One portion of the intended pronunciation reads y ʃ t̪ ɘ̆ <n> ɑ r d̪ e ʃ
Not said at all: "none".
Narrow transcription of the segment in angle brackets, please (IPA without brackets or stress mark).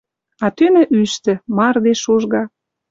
m